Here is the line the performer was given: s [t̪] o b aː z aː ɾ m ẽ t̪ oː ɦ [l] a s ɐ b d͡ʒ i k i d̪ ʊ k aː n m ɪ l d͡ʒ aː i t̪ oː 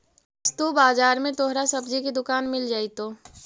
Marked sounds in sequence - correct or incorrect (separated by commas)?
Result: correct, incorrect